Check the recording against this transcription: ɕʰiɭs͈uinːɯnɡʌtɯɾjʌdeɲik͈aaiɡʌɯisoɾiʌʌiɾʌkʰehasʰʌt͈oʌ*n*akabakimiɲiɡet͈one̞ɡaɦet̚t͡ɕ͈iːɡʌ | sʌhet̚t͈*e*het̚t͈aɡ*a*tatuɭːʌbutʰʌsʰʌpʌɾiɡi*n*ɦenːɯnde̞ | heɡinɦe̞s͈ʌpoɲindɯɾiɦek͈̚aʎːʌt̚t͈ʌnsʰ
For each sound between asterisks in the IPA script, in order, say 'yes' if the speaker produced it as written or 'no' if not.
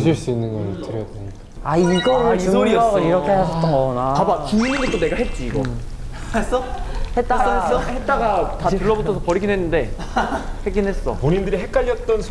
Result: yes, no, yes, yes

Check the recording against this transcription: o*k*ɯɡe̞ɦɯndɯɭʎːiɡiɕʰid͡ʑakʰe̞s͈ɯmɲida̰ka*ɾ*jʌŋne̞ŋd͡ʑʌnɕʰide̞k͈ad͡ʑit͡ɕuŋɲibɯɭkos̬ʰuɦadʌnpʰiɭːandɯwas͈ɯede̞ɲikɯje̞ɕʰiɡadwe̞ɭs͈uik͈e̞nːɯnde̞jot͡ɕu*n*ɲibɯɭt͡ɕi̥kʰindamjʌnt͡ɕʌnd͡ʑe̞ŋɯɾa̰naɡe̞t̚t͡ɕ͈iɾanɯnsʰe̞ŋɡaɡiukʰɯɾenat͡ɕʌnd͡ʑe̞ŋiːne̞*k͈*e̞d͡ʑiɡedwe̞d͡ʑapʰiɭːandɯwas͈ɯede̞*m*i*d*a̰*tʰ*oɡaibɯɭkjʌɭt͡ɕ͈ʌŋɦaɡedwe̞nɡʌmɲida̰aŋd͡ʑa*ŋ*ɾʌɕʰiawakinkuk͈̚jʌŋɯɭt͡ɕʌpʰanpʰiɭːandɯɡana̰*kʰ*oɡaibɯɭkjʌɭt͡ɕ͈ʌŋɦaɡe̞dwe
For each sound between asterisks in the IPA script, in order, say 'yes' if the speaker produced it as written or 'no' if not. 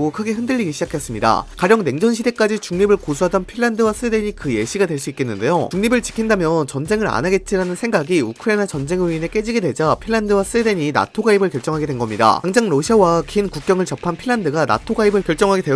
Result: no, yes, no, yes, no, no, yes, yes, no

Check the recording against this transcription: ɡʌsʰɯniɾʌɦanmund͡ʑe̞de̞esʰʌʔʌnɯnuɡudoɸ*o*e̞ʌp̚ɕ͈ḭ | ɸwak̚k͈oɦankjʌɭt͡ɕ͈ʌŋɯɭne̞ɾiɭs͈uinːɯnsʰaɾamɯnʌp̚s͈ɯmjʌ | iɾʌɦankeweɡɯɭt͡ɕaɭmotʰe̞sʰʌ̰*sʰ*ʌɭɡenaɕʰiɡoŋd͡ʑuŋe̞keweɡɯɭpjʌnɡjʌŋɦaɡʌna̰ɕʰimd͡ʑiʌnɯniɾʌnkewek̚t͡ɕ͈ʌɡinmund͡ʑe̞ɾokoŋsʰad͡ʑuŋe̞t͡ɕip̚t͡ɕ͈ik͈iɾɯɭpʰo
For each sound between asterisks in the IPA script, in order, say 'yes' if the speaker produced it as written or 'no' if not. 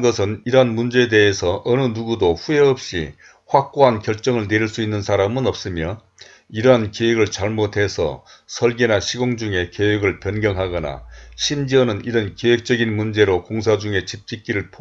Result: no, yes

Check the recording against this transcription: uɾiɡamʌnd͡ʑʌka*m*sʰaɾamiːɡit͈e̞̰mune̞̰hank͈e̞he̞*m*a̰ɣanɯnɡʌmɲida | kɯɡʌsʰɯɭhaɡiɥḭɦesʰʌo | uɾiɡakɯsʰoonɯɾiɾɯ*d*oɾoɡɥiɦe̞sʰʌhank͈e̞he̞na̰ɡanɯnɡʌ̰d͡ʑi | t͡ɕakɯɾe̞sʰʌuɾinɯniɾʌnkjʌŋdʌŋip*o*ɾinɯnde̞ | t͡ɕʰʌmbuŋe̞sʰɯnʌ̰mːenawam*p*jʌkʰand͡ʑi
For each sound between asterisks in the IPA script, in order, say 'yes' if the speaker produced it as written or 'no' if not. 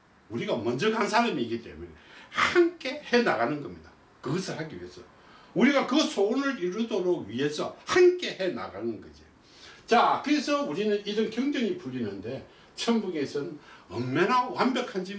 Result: no, no, yes, no, no

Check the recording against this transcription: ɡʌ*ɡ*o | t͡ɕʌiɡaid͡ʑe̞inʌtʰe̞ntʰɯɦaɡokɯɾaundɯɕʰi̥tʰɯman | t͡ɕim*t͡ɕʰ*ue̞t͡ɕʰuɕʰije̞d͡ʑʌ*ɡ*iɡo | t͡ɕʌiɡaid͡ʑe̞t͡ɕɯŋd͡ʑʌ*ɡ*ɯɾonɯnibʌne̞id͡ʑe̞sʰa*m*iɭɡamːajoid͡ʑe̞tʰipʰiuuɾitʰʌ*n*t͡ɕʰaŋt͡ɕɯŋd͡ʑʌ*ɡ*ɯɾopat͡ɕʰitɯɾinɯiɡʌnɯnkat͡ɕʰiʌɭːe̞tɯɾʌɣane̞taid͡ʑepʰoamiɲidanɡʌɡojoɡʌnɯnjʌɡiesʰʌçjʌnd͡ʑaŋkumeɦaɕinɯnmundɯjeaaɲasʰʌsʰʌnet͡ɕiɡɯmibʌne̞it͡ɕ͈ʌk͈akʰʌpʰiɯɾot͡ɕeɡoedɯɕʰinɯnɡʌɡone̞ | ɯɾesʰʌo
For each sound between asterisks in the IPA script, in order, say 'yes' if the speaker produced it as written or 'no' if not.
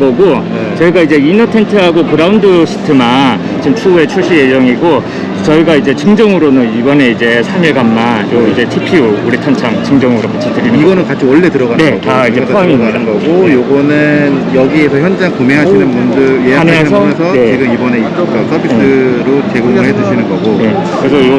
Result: yes, yes, no, no, yes, yes, no

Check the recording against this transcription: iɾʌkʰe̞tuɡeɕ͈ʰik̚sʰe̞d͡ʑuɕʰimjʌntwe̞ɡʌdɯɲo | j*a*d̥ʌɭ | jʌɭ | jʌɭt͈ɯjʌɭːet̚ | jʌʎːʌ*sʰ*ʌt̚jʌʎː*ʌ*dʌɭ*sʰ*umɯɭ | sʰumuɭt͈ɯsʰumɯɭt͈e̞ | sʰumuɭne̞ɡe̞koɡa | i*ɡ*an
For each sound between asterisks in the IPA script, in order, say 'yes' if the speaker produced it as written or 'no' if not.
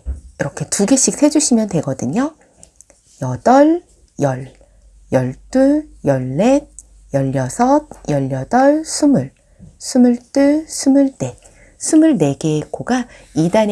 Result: no, yes, yes, yes, no

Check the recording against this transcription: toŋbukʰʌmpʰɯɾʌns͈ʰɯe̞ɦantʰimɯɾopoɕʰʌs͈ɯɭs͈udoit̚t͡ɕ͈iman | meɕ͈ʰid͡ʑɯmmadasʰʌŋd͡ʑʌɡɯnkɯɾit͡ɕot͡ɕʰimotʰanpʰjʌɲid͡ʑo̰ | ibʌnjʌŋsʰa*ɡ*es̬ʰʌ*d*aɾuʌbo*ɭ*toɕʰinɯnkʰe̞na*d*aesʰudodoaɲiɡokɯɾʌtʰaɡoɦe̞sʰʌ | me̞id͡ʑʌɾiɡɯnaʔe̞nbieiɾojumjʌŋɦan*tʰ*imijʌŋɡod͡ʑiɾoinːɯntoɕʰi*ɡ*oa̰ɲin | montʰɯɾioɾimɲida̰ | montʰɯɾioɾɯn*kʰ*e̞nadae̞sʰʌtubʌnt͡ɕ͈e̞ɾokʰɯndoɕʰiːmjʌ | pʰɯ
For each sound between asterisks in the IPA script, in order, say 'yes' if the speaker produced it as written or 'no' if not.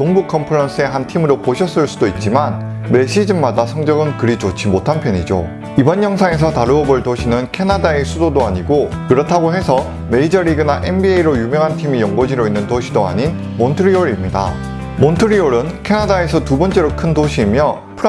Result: no, no, yes, yes, yes, no, yes

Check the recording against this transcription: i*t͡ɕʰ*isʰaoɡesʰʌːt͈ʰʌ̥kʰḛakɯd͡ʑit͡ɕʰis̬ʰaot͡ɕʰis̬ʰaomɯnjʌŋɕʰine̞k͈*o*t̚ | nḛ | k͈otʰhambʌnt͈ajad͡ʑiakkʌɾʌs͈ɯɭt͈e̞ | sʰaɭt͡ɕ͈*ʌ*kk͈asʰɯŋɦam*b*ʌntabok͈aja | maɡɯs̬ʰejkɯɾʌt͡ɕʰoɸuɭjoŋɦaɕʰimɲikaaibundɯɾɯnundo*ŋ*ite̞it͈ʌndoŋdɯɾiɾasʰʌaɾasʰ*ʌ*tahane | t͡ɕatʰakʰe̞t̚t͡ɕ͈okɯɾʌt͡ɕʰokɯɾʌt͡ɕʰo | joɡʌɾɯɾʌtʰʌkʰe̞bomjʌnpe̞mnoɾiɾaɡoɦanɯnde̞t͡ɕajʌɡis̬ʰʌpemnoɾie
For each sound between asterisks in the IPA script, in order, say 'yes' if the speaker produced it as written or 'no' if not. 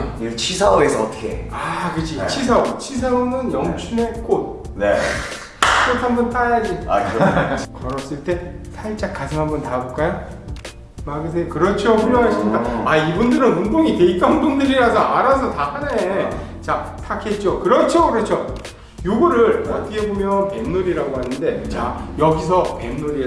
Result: yes, yes, no, yes, yes, yes

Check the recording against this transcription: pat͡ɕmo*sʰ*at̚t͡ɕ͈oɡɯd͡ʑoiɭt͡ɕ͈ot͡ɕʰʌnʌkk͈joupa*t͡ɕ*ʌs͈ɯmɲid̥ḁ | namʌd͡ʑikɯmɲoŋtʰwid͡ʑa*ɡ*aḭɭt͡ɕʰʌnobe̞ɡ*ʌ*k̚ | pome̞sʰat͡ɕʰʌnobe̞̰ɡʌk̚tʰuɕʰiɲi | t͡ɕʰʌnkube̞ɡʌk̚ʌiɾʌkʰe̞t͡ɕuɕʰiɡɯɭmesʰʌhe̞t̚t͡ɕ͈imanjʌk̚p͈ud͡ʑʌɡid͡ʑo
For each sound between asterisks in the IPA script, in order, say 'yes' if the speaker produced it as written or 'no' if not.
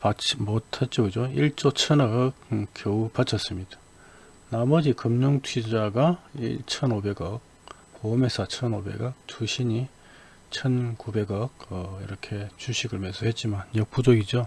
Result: no, no, yes, yes

